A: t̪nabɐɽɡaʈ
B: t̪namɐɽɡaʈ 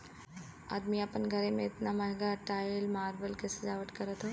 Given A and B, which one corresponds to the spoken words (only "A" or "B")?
B